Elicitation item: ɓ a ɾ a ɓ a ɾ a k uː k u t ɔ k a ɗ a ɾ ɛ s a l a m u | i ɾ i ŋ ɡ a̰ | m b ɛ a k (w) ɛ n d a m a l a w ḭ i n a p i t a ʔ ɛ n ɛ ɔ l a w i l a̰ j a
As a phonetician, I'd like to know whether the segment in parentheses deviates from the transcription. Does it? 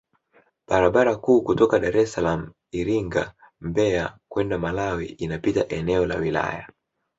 no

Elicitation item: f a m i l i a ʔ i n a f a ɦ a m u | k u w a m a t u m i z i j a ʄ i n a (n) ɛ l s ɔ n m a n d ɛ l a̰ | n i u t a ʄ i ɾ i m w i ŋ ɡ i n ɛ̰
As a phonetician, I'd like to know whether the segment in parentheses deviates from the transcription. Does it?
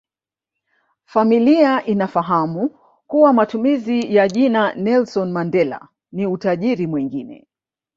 no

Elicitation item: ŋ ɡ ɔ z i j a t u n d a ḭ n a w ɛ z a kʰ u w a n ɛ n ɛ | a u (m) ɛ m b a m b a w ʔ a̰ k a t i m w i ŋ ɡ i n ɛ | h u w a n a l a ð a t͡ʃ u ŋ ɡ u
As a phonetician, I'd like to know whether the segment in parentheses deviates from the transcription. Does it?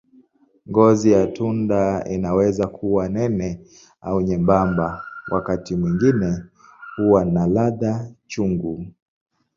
yes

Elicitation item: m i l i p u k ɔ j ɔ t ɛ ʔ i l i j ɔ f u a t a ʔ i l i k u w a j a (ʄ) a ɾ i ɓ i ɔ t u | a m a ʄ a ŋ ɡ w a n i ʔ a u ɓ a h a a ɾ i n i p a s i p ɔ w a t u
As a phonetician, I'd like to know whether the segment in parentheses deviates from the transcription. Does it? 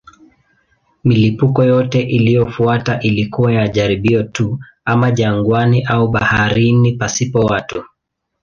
no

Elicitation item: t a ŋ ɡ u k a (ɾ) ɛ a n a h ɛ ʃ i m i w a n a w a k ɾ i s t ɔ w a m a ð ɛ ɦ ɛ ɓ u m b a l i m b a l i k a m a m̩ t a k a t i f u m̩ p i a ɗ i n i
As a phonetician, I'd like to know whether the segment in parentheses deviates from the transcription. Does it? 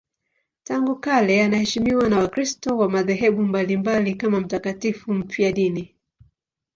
yes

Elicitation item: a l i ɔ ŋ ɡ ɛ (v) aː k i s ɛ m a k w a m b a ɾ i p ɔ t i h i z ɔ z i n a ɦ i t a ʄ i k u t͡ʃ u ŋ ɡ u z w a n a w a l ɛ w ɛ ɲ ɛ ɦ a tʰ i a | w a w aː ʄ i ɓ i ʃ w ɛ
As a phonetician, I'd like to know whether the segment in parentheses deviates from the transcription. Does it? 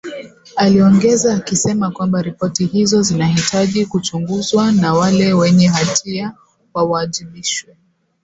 yes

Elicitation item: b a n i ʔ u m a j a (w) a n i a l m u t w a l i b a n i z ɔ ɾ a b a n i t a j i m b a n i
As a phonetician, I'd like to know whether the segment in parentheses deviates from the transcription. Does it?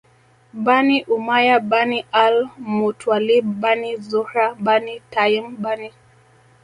yes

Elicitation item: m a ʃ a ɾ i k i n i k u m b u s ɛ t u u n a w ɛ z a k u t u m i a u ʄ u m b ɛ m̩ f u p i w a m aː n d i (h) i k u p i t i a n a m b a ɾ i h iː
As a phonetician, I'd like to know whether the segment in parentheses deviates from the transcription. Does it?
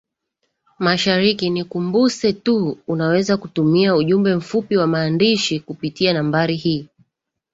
yes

